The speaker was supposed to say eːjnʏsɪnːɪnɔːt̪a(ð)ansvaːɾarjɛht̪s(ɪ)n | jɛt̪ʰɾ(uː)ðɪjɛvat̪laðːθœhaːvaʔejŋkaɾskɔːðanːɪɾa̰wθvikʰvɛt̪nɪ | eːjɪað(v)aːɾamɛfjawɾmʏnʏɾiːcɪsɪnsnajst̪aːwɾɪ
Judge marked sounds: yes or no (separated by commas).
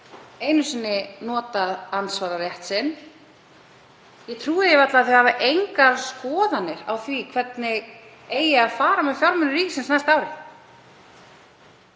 yes, yes, yes, no